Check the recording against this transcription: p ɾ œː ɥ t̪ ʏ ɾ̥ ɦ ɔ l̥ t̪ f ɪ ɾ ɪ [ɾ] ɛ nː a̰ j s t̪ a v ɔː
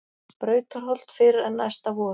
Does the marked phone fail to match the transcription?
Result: no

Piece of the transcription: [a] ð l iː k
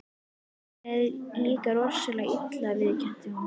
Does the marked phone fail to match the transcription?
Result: yes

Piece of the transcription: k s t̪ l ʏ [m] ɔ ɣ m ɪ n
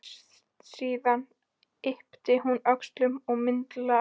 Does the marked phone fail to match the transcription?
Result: no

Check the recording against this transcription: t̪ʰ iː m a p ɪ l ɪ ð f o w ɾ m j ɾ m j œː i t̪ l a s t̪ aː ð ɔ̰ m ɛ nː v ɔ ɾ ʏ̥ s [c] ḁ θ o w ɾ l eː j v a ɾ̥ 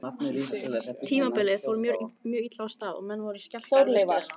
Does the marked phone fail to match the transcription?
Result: no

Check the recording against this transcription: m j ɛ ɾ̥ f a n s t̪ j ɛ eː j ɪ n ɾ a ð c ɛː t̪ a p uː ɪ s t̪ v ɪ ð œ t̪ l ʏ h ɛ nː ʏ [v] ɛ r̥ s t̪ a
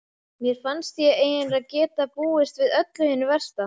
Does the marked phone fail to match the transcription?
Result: no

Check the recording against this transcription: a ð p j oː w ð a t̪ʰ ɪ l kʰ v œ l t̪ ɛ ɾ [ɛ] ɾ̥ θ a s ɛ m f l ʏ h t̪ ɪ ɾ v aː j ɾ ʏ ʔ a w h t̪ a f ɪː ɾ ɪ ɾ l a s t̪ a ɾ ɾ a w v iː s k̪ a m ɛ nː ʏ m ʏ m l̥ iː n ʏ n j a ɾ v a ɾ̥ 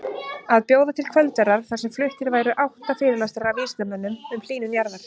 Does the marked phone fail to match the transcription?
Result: yes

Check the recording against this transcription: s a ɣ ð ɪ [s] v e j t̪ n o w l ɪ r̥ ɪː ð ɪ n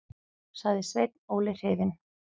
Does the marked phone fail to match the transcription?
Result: no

